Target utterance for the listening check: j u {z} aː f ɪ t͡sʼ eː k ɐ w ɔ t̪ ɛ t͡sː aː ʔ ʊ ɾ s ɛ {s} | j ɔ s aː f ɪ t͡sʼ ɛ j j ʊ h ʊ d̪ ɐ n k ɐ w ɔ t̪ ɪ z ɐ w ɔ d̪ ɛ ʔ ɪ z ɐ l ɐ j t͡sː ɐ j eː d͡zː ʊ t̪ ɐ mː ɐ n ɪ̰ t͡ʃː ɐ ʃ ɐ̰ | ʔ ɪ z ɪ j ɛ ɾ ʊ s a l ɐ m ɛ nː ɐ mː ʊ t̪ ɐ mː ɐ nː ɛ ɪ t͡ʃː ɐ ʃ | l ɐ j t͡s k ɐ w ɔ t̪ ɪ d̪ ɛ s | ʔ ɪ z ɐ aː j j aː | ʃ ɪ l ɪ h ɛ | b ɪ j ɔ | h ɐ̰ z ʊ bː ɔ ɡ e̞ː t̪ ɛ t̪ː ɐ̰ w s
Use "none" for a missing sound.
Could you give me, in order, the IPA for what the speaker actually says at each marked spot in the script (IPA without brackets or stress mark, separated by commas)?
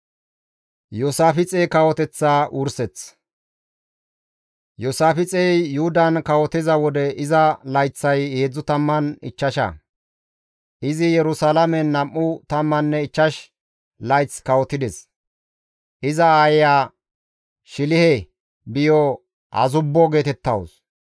s, t͡s